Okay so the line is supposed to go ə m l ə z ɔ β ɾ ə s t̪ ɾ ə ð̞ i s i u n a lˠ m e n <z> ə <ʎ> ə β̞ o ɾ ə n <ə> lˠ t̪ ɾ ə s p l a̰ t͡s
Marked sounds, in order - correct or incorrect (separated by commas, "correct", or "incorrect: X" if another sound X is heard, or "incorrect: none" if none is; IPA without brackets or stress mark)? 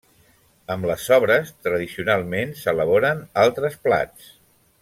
incorrect: s, incorrect: l, incorrect: a